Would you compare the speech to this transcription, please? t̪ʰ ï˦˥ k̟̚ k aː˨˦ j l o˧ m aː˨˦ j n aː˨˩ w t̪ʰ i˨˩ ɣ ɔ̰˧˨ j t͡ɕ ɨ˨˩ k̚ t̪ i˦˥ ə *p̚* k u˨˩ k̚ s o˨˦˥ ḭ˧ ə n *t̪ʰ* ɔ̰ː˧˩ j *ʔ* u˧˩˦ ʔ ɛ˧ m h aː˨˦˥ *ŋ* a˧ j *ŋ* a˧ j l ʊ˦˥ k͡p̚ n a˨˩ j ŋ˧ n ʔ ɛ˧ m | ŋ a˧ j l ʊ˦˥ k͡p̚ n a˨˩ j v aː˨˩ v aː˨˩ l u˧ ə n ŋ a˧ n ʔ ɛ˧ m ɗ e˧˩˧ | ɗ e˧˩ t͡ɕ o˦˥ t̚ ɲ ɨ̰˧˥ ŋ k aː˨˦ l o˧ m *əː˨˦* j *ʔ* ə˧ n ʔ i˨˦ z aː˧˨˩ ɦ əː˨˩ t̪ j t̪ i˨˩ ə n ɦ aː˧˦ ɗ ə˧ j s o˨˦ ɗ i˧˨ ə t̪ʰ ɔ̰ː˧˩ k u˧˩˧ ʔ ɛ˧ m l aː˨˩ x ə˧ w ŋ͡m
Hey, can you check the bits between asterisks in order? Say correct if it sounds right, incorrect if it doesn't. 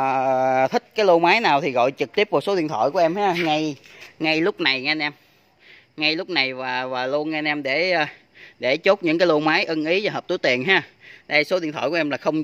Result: correct, correct, incorrect: k, correct, correct, incorrect: aː˨˦, correct

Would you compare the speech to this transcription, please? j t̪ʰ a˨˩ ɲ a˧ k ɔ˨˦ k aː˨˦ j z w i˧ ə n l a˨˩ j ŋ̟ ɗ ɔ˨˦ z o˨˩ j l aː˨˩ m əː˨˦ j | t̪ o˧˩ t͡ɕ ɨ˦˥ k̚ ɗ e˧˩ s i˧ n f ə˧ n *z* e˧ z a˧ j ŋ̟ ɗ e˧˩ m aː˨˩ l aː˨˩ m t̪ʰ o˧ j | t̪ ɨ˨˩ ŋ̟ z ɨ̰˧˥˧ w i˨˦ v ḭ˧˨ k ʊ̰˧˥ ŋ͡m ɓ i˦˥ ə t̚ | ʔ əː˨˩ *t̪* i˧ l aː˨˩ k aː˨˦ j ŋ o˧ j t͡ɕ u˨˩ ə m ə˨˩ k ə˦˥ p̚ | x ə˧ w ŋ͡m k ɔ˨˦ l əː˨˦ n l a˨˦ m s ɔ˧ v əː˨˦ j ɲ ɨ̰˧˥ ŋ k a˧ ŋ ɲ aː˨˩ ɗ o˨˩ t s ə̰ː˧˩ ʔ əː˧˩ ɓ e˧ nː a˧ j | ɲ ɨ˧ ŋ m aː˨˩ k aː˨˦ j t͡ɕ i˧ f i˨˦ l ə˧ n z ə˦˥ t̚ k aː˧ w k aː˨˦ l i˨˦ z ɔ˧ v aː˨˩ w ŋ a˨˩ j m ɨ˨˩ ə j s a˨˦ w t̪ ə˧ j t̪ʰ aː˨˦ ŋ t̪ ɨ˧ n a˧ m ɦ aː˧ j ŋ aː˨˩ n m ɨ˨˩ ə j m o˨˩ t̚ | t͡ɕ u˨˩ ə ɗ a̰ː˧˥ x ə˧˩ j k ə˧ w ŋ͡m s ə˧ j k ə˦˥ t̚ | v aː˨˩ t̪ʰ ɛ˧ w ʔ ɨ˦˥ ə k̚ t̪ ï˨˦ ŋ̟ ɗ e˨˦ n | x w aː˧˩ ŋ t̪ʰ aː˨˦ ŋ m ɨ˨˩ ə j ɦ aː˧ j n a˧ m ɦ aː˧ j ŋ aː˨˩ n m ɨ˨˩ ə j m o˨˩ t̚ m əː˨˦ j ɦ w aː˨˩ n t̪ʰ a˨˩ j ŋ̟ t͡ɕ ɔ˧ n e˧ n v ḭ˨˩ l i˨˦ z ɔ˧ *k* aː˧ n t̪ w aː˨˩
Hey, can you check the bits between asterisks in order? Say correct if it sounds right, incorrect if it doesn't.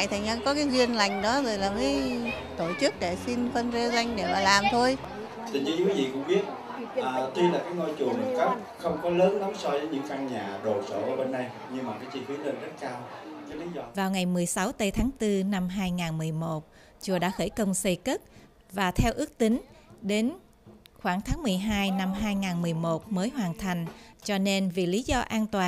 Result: correct, correct, incorrect: ʔ

